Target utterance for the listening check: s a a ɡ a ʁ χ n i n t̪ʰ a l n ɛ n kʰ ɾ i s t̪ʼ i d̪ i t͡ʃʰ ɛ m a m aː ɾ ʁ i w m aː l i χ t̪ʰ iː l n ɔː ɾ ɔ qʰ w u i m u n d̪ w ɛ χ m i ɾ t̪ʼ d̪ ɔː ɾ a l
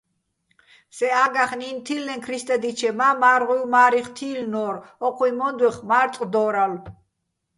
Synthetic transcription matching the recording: s ɛ a ɡ a χ n i n t̪ʰ i l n ɛ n kʰ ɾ i s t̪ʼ ɛ d̪ i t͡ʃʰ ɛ m a m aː ɾ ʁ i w m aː ɾ i χ t̪ʰ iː l n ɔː ɾ ɔ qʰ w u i m ɔ n d̪ w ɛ χ m a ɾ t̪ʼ d̪ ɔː ɾ a l

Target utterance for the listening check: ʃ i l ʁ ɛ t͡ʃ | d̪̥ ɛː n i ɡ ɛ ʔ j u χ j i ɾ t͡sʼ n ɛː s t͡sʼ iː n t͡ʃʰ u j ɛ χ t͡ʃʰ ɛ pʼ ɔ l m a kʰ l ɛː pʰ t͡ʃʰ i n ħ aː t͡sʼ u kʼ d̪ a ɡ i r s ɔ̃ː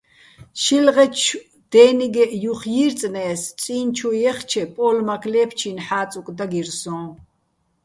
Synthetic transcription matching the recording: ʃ i l ʁ ɛ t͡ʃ | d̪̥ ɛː n i ɡ ɛ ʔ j u χ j i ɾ t͡sʼ n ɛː s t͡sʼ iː n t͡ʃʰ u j ɛ χ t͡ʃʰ ɛ pʼ ɔ l m a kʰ l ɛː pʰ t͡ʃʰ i n ħ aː t͡sʼ u kʼ d̪ a ɡ i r s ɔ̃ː

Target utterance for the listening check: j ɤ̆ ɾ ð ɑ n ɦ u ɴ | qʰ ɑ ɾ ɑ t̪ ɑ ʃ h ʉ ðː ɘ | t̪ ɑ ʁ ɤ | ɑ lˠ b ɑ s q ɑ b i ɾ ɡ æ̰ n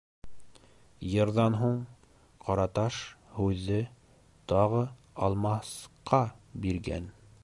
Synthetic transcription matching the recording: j ɤ̆ ɾ ð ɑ n ɦ u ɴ | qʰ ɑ ɾ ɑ t̪ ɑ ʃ h ʉ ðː ɘ | t̪ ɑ ʁ ɤ | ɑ lˠ m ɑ s q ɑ b i ɾ ɡ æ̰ n

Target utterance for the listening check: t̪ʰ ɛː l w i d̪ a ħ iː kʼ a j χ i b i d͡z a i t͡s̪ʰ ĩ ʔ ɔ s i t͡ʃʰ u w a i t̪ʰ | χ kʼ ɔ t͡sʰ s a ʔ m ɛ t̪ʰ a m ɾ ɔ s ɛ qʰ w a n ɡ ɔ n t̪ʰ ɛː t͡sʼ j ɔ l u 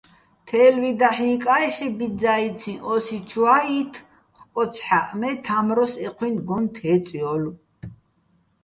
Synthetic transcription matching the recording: t̪ʰ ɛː l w i d̪ a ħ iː kʼ a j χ i b i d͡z a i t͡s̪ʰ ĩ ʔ ɔ s i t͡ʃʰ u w a i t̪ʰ | χ kʼ ɔ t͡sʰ ħ a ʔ m ɛ t̪ʰ a m ɾ ɔ s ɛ qʰ w i n ɡ ɔ n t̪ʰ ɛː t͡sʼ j ɔ l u

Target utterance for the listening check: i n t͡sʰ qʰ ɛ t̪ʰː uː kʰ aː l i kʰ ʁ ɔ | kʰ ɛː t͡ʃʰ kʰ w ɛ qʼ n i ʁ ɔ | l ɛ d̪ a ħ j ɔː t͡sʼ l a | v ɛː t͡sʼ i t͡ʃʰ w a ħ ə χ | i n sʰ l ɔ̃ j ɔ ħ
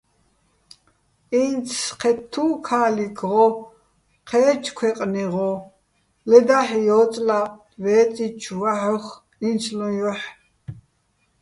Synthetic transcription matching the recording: i n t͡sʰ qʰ ɛ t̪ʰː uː kʰ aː l i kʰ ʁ ɔ | qʰ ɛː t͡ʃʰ kʰ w ɛ qʼ n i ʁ ɔ | l ɛ d̪ a ħ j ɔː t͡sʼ l a | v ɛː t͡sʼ i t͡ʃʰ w a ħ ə χ | i n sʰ l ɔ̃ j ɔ ħ

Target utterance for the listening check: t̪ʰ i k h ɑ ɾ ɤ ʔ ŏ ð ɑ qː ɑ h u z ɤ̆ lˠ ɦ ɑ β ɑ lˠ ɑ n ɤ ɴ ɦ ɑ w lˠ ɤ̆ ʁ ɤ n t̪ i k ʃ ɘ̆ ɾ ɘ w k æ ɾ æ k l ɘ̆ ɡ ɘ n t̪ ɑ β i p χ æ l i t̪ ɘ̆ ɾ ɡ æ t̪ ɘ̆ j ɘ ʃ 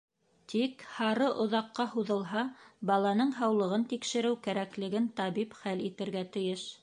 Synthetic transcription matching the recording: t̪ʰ i k h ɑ ɾ ɤ ʔ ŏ ð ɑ qː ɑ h u ð ɤ̆ lˠ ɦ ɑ b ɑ lˠ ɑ n ɤ ɴ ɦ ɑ w lˠ ɤ̆ ʁ ɤ n t̪ i k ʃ ɘ̆ ɾ ɘ w k æ ɾ æ k l ɘ̆ ɡ ɘ n t̪ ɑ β i p χ æ l i t̪ ɘ̆ ɾ ɡ æ t̪ ɘ̆ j ɘ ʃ

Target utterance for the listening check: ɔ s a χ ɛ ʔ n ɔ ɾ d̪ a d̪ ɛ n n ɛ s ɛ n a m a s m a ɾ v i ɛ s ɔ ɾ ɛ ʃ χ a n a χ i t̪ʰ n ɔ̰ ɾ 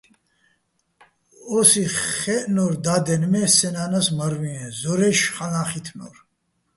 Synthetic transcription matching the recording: ɔ s i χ ɛ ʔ n ɔ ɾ d̪ a d̪ ɛ n m ɛ s ɛ n a n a s m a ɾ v i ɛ z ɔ ɾ ɛ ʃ χ a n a χ i t̪ʰ n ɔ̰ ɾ

